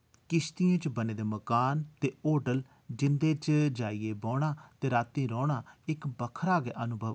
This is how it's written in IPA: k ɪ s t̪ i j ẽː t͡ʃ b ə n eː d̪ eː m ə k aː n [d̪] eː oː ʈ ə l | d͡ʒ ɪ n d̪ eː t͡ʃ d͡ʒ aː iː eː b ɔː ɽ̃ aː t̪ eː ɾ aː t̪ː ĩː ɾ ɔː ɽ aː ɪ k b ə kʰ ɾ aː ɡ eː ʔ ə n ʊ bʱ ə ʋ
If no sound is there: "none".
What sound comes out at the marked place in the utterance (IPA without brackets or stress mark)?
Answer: t̪